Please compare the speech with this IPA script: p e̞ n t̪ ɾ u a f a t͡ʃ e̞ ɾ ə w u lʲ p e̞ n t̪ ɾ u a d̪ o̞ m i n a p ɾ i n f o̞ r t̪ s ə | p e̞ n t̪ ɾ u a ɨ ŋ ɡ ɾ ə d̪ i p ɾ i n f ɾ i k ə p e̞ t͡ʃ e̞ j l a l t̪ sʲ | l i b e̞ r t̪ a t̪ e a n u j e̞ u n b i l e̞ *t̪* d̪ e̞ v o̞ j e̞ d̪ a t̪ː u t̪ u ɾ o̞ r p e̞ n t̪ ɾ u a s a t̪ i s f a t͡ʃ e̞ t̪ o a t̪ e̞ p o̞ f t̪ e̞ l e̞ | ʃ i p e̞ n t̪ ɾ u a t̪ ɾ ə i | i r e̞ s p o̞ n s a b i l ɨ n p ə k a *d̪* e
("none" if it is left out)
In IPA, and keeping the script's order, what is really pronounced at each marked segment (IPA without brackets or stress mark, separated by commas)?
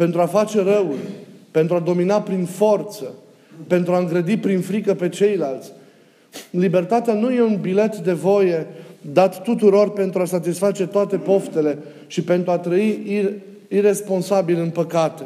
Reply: t̪, t̪